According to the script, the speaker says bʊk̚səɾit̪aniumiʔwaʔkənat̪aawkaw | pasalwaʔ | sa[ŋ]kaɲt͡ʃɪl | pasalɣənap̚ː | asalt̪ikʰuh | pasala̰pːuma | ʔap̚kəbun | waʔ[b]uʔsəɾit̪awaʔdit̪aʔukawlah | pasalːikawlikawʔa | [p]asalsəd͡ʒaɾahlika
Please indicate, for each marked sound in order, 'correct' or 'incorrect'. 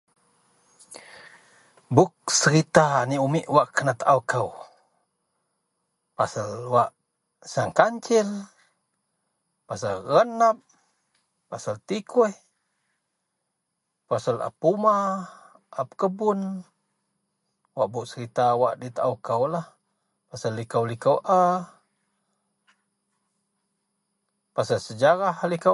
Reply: correct, correct, correct

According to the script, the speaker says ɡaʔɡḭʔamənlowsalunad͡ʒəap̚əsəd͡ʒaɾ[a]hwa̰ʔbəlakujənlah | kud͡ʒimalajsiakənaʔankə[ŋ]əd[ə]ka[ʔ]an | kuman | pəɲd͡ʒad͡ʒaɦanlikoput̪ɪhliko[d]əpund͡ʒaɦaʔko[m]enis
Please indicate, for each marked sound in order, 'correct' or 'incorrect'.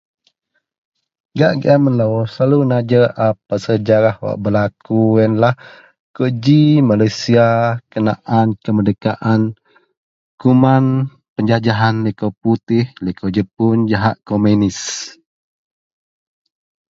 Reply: correct, incorrect: m, correct, correct, incorrect: d͡ʒ, correct

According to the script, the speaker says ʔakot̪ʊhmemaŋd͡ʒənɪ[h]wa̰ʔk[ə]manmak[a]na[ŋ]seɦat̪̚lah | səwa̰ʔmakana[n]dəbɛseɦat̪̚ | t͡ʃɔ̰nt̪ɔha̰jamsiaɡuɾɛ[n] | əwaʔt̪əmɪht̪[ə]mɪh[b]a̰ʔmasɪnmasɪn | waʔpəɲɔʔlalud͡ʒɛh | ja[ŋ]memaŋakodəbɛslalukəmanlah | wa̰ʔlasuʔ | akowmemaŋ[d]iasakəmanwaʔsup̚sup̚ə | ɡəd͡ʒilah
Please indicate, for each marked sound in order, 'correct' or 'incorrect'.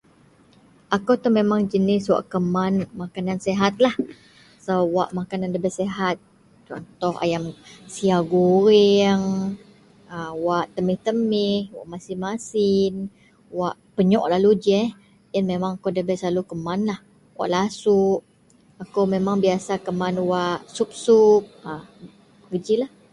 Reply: incorrect: s, correct, correct, incorrect: n, correct, incorrect: ŋ, correct, incorrect: w, incorrect: n, incorrect: b

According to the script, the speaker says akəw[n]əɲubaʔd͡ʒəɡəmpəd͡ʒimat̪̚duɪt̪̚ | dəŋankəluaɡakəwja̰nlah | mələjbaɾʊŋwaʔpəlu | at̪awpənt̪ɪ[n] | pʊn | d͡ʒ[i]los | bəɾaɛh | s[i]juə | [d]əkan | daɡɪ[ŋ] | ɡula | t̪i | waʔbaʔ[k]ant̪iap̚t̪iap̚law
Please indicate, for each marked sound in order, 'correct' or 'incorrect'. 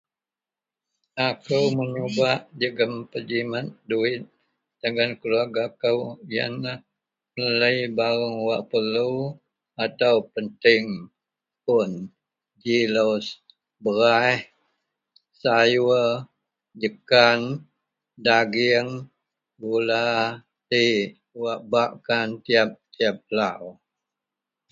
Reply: incorrect: m, incorrect: ŋ, correct, incorrect: a, incorrect: d͡ʒ, correct, correct

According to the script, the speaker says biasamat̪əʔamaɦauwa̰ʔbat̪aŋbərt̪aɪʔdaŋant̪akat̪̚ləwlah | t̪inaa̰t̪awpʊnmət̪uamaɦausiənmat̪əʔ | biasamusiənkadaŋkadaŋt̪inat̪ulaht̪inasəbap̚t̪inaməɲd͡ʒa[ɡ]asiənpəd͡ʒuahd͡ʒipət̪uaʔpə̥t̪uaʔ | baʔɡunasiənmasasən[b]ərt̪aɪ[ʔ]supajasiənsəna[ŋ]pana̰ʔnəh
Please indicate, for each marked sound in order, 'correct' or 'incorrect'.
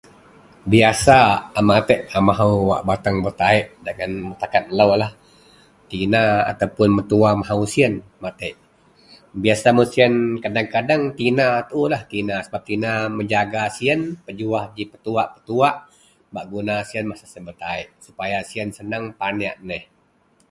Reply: correct, correct, correct, correct

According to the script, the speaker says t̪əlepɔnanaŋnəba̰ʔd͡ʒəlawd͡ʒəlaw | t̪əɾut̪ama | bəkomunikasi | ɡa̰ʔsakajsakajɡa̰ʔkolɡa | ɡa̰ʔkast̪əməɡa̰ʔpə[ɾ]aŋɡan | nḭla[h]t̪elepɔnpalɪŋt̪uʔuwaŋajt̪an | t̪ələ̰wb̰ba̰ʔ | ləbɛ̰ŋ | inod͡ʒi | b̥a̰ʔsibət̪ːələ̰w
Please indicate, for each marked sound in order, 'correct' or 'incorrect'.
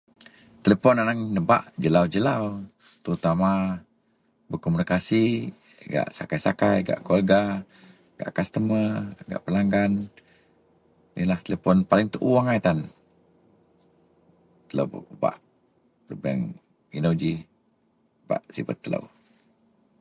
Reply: incorrect: l, correct

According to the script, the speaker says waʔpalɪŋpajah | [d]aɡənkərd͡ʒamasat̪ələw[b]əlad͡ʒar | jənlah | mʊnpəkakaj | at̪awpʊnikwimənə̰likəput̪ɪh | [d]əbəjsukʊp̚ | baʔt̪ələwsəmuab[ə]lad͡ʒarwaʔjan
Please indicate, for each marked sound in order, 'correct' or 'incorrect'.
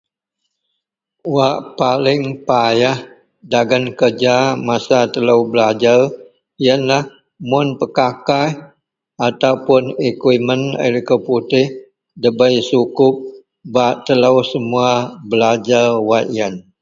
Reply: correct, correct, correct, correct

